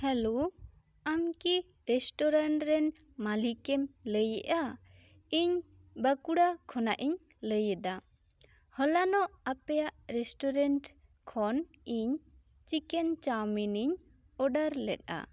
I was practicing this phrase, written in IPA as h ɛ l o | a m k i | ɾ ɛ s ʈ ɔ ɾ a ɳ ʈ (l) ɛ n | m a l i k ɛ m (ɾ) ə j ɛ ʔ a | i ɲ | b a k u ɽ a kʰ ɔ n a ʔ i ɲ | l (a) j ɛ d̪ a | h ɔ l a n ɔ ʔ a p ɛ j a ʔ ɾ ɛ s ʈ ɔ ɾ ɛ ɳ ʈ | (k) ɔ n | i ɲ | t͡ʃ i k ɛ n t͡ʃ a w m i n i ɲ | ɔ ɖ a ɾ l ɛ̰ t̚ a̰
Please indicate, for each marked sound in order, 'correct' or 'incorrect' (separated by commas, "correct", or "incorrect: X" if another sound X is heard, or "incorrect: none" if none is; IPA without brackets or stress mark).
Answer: incorrect: ɾ, incorrect: l, incorrect: ə, incorrect: kʰ